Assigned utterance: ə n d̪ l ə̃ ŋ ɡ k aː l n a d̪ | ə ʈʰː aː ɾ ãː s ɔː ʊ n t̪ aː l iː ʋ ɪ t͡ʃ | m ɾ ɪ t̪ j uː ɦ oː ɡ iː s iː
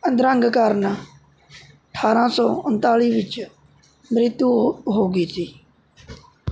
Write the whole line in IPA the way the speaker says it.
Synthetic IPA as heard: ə n d̪ ɾ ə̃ ŋ ɡ k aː ɾ n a | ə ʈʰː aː ɾ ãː s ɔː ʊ n t̪ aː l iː ʋ ɪ t͡ʃ | m ɾ ɪ t̪ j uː ɦ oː ɡ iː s iː